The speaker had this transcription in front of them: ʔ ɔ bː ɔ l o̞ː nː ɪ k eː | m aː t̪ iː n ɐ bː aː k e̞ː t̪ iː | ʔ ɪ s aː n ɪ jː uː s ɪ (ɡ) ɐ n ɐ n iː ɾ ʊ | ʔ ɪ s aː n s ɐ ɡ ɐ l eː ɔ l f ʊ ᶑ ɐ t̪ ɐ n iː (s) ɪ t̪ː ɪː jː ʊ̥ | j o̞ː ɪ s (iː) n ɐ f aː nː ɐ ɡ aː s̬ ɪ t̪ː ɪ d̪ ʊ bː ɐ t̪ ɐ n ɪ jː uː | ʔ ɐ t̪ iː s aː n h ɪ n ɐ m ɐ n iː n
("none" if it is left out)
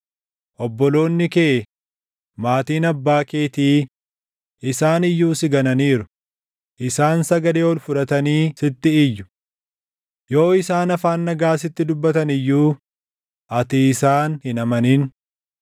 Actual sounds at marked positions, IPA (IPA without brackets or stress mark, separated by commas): ɡ, s, aː